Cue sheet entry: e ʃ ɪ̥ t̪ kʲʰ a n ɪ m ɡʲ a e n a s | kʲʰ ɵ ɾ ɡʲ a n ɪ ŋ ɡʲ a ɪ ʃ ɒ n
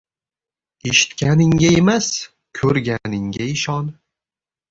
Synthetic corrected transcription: e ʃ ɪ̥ t̪ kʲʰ a n ɪ ŋ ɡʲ a e m a s | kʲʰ ɵ ɾ ɡʲ a n ɪ ŋ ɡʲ a ɪ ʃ ɒ n

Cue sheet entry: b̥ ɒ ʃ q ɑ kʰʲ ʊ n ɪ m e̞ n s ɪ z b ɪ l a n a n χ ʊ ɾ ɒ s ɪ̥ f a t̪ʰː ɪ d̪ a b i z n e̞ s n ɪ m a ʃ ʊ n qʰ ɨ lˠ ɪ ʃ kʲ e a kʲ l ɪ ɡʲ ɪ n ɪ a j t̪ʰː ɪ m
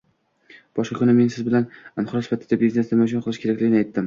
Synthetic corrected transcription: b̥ ɒ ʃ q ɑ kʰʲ ʊ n ɪ m e̞ n s ɪ z b ɪ l a n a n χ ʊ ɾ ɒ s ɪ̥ f a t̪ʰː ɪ d̪ a b i z n e̞ s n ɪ m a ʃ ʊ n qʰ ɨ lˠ ɪ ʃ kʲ e a kʲ l ɪ ɡʲ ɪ n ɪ a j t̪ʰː ɪ m

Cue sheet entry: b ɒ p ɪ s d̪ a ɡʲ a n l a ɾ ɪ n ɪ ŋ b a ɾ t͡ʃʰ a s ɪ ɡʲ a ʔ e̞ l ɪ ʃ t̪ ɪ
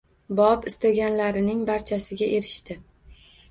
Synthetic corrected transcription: b ɒ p ɪ s t̪ a ɡʲ a n l a ɾ ɪ n ɪ ŋ b a ɾ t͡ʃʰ a s ɪ ɡʲ a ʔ e̞ ɾ ɪ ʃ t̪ ɪ

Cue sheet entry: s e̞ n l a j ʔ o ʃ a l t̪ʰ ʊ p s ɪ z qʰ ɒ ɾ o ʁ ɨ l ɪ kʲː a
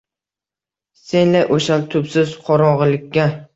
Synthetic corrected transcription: s e̞ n l a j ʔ o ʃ a l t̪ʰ ʊ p s ɪ z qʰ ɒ ɾ ɒ ʁ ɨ l ɪ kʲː a

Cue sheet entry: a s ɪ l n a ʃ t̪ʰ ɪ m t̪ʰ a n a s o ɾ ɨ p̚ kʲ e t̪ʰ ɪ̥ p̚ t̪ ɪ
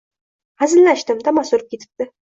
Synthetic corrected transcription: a z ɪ l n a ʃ t̪ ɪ m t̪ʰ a m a s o ɾ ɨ p̚ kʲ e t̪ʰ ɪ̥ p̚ t̪ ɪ

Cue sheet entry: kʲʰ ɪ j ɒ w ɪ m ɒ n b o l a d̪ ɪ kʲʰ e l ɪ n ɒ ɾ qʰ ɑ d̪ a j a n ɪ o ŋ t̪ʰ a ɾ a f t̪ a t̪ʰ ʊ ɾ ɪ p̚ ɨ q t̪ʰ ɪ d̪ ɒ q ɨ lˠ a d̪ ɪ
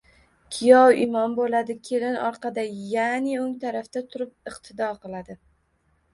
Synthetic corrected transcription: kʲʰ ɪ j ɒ w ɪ m ɒ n b o l a d̪ ɪ kʲʰ e l ɪ n ɒ ɾ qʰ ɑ d̪ a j a n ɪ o ŋ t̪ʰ a ɾ a f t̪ a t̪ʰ ʊ ɾ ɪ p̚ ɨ q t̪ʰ ɪ d̪ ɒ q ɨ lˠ a d̪ ɪ

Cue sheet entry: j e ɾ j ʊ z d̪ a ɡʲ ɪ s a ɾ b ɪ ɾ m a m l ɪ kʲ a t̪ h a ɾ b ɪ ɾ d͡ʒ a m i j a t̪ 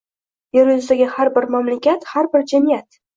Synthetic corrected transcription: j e ɾ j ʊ z d̪ a ɡʲ ɪ h a ɾ b ɪ ɾ m a m l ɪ kʲ a t̪ h a ɾ b ɪ ɾ d͡ʒ a m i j a t̪

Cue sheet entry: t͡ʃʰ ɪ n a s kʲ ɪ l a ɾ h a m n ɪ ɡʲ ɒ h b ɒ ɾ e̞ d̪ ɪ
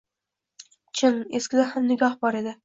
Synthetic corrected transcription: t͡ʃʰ ɪ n e s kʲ ɪ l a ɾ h a m n ɪ ɡʲ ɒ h b ɒ ɾ e̞ d̪ ɪ

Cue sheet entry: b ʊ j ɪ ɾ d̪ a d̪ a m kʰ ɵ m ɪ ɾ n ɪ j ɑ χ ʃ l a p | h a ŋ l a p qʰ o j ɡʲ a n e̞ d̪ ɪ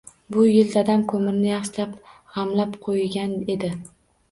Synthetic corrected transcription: b ʊ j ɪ l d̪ a d̪ a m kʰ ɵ m ɪ ɾ n ɪ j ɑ χ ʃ l a p | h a m l a p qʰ o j ɡʲ a n e̞ d̪ ɪ

